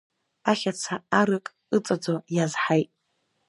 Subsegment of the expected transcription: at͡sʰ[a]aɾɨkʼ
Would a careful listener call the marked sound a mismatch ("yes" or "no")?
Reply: no